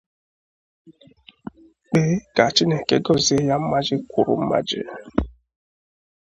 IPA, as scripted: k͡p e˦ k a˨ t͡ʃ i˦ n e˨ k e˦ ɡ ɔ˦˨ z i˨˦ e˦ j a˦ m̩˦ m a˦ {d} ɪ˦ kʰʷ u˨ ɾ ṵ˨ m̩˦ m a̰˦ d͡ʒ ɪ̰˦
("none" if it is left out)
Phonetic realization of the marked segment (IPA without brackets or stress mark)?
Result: d͡ʒ